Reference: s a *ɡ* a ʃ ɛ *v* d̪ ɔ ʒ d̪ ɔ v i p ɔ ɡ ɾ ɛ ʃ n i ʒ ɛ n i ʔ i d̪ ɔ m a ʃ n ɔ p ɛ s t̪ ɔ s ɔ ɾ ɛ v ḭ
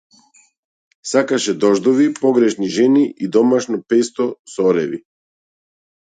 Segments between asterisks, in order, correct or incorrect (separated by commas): incorrect, incorrect